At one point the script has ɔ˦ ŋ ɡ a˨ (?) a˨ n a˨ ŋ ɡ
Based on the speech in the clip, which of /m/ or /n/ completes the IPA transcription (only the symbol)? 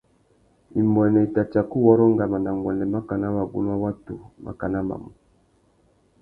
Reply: m